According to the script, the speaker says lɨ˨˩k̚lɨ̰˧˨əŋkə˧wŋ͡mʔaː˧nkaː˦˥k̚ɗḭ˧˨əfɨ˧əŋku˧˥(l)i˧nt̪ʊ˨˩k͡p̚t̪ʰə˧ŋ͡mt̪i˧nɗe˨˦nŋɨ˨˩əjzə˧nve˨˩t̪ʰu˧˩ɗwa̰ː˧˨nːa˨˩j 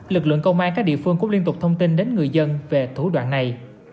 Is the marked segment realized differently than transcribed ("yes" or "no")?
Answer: no